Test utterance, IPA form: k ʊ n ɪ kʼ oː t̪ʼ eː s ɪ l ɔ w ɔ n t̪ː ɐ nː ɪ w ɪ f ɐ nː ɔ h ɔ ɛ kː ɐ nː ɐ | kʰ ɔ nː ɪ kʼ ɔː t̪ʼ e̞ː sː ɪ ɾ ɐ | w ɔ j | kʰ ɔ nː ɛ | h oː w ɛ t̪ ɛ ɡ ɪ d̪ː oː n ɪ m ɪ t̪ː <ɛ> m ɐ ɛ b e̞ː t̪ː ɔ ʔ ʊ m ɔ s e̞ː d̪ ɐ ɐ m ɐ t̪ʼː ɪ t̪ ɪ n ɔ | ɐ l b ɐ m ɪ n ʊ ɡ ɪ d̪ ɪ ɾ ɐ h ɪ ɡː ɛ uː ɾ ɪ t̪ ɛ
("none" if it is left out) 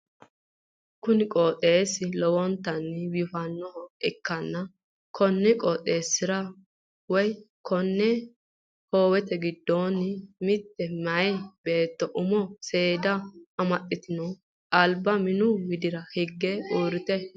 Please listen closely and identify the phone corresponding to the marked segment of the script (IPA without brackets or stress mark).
ɛ